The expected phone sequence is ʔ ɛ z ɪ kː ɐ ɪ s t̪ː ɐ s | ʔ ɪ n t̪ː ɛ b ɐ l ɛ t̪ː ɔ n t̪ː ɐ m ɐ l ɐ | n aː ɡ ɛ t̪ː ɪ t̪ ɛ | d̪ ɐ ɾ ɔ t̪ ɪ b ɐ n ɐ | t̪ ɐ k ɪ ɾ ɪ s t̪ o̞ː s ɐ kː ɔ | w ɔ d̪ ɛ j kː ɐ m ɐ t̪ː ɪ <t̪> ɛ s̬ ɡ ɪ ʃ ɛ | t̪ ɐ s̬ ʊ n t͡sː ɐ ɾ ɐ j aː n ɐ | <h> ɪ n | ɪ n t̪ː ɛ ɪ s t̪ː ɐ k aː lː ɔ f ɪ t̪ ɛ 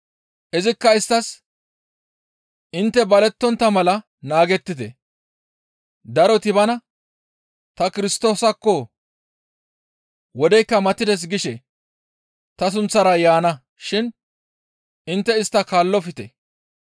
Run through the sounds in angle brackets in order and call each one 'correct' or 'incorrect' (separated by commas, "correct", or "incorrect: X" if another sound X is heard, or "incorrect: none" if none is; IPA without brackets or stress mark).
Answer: incorrect: d̪, incorrect: ʃ